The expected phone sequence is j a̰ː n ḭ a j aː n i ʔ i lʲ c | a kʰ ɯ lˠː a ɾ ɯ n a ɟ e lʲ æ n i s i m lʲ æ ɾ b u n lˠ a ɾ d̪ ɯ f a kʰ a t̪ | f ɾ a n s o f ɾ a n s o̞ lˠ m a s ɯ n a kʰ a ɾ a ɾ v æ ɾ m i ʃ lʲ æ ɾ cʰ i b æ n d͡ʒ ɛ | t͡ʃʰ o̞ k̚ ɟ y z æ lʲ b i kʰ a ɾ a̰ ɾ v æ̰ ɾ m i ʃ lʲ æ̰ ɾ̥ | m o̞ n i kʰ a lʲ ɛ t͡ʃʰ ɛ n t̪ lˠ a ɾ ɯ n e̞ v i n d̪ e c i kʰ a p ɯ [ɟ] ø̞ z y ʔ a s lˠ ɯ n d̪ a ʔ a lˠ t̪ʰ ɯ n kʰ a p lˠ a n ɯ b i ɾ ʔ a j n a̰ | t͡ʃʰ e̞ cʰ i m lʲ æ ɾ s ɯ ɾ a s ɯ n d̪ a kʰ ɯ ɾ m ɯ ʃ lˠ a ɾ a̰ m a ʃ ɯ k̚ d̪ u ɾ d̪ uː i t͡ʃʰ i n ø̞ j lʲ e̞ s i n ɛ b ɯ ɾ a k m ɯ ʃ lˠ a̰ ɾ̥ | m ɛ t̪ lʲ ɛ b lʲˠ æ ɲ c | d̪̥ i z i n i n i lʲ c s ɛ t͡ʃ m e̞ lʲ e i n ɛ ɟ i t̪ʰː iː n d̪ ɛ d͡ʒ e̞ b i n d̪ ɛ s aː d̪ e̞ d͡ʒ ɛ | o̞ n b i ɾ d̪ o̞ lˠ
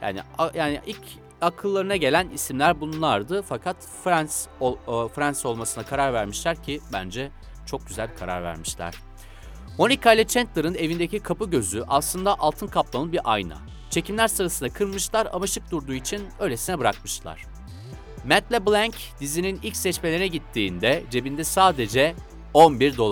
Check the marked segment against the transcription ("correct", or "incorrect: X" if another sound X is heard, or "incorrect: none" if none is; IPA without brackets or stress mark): correct